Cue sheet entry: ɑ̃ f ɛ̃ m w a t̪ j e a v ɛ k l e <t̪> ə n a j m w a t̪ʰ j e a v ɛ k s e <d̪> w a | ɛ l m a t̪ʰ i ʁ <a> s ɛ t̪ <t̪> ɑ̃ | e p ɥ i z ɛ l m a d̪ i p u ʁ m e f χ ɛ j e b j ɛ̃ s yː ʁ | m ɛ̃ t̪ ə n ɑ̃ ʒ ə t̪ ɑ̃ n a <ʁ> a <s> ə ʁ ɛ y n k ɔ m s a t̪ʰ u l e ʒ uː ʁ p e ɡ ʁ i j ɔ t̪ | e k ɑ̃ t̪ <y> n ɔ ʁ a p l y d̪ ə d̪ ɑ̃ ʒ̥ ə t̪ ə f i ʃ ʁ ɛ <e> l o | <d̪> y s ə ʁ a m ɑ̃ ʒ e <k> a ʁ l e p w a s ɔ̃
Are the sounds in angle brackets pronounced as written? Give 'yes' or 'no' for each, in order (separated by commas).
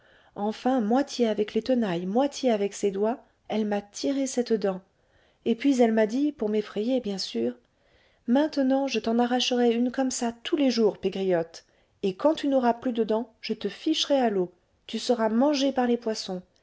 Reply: yes, yes, no, no, yes, no, yes, no, no, no